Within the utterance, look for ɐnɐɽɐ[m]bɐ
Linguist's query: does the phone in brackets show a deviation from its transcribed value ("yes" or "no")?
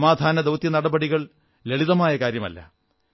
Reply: yes